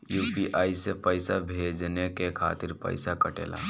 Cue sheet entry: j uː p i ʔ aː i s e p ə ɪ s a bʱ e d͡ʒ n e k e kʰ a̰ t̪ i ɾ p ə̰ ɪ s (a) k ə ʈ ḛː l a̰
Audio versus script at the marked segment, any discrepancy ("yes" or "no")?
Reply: no